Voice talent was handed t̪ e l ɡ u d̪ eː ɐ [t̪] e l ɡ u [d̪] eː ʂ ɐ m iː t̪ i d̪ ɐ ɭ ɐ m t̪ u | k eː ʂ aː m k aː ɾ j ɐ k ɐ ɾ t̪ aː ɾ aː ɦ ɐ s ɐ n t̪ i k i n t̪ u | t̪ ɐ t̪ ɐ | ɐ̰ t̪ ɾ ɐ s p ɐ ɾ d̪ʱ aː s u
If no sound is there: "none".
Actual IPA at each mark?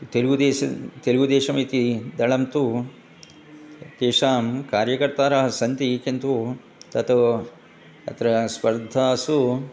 t̪, d̪

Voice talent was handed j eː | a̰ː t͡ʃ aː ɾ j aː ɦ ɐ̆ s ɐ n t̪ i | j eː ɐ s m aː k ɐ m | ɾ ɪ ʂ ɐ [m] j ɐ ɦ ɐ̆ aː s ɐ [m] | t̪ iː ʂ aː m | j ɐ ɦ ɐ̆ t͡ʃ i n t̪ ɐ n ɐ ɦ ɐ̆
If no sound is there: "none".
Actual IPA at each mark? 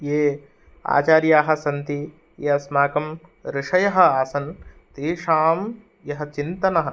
none, n

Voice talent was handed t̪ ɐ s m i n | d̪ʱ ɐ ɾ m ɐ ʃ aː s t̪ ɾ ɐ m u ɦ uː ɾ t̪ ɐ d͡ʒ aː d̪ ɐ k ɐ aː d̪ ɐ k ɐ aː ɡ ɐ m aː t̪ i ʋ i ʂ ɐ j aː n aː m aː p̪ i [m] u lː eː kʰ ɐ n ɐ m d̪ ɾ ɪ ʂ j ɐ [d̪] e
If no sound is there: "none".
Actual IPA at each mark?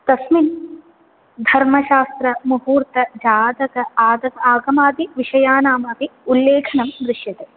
none, t̪

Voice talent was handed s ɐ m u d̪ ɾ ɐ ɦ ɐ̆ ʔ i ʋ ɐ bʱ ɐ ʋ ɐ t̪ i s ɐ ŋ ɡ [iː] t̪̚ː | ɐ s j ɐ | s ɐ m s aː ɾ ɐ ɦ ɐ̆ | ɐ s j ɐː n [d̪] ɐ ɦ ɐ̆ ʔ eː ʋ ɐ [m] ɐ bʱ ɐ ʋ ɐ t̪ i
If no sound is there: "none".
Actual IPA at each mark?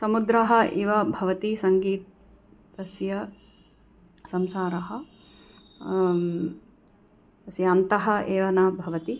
iː, t̪, n

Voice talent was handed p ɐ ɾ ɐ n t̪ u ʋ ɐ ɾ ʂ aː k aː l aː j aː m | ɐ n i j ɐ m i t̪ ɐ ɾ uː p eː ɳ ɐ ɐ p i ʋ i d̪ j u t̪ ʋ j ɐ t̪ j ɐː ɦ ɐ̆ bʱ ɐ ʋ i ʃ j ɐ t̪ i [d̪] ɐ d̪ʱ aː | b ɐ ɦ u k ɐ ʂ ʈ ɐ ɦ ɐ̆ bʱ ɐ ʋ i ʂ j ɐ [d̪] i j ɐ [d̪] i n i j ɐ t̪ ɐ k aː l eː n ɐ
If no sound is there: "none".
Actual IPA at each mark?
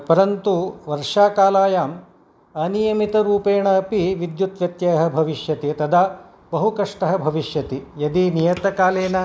t̪, t̪, d̪

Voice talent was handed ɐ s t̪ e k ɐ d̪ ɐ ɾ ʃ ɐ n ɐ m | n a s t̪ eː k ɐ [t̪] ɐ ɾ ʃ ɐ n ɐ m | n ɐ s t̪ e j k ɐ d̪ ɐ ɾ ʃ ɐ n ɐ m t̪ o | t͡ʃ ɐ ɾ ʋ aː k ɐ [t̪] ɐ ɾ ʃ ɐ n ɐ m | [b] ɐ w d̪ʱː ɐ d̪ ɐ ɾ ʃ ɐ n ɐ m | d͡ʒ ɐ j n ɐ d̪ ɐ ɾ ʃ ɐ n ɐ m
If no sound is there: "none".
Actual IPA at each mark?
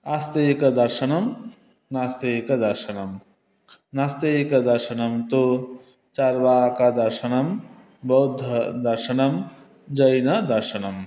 d̪, d̪, b

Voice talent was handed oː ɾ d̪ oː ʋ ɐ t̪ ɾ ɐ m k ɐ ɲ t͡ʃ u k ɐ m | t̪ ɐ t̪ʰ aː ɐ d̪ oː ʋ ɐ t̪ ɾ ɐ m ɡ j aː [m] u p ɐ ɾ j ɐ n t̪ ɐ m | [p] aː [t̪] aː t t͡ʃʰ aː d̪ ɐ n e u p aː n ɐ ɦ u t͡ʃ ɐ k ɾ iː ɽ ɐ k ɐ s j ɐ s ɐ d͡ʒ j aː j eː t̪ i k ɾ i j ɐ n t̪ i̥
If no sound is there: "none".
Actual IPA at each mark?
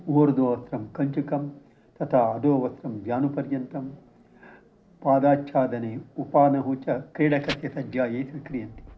n, p, d̪

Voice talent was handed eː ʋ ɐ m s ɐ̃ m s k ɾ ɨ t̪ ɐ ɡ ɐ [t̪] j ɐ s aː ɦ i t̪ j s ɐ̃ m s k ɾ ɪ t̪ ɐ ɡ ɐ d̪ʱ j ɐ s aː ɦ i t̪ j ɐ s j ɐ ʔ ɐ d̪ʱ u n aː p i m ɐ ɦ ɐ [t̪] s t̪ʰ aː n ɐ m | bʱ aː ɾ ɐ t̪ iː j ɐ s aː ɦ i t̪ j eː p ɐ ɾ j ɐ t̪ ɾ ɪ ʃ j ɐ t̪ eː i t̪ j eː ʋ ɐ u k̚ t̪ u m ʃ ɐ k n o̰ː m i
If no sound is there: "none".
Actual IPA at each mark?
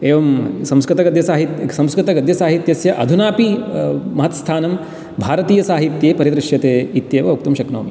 d̪, t̪

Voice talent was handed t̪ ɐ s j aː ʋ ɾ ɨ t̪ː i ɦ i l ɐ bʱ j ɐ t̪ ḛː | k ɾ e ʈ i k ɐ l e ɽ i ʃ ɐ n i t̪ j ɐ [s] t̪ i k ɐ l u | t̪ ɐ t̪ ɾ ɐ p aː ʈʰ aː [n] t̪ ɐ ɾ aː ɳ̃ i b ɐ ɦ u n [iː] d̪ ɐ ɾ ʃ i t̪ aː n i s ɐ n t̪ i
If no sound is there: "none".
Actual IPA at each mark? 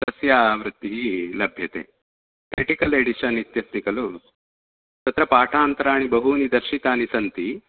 s, n, i

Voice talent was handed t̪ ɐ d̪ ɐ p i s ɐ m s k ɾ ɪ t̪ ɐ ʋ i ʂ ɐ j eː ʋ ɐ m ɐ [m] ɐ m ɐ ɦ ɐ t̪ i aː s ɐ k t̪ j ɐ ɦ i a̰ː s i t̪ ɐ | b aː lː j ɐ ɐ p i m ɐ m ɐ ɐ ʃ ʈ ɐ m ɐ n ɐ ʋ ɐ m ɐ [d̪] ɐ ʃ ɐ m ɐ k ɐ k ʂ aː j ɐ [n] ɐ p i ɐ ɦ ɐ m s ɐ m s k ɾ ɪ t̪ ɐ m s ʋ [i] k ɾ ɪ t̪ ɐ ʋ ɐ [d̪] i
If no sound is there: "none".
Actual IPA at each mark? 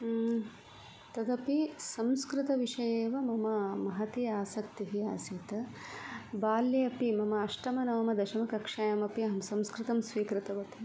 m, d̪, m, iː, t̪

